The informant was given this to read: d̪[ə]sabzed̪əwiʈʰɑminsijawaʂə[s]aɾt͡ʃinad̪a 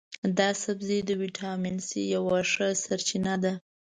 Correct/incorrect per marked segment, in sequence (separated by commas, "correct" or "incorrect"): incorrect, correct